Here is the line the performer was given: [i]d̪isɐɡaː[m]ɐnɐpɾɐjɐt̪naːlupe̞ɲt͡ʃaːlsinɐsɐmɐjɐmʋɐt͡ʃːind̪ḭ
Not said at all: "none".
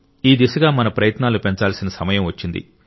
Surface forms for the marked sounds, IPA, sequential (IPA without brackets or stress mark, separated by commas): iː, m